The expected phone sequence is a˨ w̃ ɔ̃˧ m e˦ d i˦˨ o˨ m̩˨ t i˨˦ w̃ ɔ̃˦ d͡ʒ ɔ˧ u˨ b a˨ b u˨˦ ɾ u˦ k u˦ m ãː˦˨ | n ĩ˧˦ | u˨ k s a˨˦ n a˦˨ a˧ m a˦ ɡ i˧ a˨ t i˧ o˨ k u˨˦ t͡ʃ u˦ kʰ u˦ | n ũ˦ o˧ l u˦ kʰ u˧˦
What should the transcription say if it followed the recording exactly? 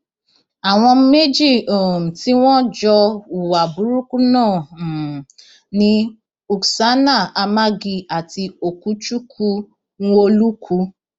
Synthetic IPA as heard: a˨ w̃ ɔ̃˧ m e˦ d͡ʒ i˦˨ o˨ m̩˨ t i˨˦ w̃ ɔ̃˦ d͡ʒ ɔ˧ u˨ w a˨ b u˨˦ ɾ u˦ k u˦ n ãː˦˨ | n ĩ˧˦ | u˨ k s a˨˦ n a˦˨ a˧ m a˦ ɡ i˧ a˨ t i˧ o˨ k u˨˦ t͡ʃ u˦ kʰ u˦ | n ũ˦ o˧ l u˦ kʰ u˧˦